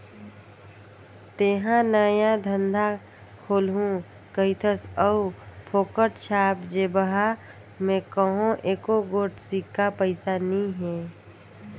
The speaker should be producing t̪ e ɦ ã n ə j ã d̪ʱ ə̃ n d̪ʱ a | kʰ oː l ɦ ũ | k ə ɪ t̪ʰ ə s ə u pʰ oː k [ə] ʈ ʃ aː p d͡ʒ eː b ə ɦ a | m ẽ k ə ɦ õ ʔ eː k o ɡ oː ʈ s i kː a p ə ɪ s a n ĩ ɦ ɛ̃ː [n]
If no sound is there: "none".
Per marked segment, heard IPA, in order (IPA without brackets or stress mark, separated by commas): ə, none